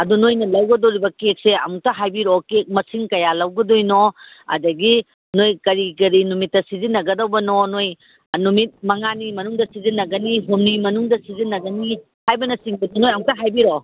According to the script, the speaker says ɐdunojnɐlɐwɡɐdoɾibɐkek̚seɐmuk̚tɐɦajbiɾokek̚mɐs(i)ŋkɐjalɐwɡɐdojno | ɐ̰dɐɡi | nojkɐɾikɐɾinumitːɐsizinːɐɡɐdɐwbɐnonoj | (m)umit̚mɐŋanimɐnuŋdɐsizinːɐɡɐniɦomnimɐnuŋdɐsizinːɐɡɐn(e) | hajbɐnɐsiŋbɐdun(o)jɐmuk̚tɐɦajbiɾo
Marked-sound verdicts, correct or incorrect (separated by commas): correct, incorrect, incorrect, correct